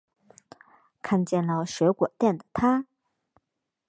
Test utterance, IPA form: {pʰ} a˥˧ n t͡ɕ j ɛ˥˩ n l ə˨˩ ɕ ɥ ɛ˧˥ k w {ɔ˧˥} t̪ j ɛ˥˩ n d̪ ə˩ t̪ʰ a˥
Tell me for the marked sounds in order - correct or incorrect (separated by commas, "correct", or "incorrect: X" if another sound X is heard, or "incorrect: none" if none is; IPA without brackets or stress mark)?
incorrect: kʰ, incorrect: ɔ˨˩